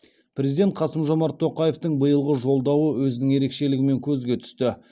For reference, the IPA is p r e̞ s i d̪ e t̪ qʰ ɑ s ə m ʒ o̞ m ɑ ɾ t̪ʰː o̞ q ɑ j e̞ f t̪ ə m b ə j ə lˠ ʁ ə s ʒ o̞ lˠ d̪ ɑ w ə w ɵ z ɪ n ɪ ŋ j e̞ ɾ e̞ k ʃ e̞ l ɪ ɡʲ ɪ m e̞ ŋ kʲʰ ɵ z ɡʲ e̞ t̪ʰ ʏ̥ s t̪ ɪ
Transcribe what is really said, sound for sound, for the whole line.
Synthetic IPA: p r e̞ z i d̪ e t̪ qʰ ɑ s ə m ʒ o̞ m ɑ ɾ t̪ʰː o̞ q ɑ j e̞ f t̪ ə ɴ b ə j ə lˠ ʁ ə ʒ o̞ lˠ d̪ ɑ w ə w ɵ z ɪ n ɪ ŋ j e̞ ɾ e̞ k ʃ e̞ l ɪ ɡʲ ɪ m e̞ ŋ kʲʰ ɵ z ɡʲ e̞ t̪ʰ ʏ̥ s t̪ ɪ